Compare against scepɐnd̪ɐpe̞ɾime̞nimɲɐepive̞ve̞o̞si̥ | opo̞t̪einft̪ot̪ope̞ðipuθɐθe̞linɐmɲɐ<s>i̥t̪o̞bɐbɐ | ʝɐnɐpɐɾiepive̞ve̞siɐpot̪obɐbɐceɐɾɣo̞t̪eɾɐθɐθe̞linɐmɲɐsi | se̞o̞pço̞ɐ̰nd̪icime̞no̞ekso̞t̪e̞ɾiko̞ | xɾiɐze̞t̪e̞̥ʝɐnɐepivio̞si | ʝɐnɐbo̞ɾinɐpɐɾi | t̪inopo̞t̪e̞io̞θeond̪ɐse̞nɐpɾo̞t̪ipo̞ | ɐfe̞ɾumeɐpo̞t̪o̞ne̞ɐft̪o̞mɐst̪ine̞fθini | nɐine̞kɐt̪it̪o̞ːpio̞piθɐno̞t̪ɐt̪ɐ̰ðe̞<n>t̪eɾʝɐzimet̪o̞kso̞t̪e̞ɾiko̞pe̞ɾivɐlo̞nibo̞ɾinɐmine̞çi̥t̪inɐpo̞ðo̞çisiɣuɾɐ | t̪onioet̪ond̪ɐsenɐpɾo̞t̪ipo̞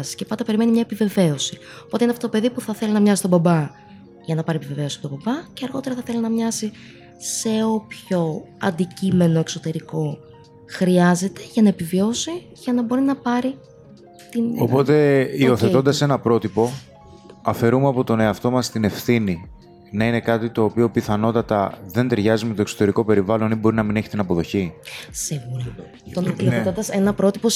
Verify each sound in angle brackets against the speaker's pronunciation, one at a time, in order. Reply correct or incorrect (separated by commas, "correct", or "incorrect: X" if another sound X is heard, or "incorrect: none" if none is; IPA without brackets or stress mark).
correct, correct